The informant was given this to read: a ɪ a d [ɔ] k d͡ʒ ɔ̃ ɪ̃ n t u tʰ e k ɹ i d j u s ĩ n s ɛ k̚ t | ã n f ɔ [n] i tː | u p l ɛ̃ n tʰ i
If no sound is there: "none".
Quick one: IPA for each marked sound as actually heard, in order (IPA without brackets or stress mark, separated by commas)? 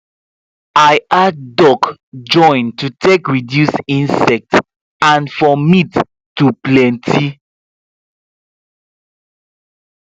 ɔ, m